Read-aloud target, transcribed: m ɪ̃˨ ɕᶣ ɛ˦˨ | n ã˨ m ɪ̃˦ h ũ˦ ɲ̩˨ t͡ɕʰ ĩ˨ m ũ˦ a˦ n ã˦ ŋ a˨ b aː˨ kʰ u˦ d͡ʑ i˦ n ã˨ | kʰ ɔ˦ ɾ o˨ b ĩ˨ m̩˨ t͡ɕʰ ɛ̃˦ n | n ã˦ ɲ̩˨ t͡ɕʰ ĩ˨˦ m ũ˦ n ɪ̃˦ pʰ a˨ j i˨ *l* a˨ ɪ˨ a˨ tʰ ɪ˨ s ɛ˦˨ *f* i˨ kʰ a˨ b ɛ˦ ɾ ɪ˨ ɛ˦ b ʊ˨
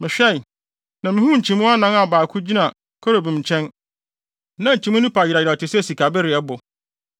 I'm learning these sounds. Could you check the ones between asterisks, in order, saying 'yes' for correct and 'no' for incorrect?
no, no

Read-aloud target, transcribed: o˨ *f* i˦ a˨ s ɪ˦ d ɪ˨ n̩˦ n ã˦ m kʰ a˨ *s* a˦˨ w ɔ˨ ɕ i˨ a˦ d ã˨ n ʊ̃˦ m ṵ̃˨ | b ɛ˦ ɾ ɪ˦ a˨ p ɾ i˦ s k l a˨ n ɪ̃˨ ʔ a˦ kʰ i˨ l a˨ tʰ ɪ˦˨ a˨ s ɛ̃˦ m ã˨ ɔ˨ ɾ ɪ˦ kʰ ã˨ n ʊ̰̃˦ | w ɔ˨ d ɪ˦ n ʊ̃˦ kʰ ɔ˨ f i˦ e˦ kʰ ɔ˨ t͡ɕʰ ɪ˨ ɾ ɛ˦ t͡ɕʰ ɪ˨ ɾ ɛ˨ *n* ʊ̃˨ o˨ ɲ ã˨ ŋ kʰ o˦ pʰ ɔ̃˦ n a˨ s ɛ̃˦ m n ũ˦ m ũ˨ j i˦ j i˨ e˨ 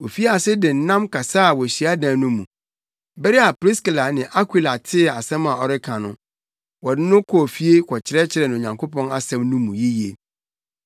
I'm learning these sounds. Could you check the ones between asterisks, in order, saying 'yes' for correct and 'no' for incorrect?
yes, yes, yes

